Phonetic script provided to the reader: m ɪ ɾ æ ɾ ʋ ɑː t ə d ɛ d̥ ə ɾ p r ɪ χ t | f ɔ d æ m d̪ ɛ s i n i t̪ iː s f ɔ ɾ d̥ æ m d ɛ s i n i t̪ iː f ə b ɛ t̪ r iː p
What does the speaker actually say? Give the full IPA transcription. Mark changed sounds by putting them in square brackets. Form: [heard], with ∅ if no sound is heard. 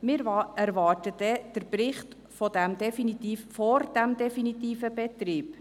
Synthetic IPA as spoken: m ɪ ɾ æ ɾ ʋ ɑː t ə d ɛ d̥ ə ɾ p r ɪ χ t | f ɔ d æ m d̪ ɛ [f] i n i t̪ iː [f] f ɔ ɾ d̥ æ m d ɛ [f] i n i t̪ iː f ə b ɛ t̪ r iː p